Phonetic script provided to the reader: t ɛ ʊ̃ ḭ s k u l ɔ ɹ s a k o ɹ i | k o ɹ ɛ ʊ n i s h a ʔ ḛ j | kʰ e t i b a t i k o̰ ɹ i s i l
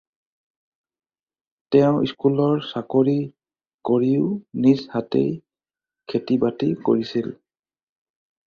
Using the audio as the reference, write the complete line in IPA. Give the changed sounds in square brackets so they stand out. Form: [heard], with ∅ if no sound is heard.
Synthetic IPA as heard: t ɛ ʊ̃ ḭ s k u l ɔ ɹ s a k o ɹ i | k o ɹ [i] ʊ n i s h a [t] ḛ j | kʰ e t i b a t i k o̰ ɹ i s i l